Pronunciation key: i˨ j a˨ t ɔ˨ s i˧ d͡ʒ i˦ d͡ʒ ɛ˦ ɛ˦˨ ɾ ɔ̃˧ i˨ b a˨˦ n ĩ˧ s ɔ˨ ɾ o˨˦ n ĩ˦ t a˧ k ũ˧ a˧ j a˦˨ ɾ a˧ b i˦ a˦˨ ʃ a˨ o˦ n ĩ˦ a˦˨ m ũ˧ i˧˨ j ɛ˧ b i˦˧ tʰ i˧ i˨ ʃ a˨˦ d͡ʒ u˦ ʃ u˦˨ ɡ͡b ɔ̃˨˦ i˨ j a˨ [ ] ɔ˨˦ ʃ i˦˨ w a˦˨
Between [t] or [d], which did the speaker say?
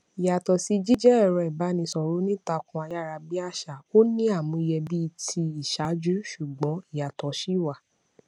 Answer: t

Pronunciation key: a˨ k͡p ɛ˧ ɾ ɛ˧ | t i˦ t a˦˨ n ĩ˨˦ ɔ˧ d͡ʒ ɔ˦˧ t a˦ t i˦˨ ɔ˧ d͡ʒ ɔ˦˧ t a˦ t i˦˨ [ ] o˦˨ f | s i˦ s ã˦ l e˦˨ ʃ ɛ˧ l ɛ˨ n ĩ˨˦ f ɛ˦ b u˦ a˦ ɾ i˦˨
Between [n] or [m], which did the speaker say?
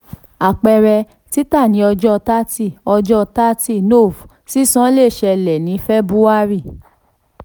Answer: n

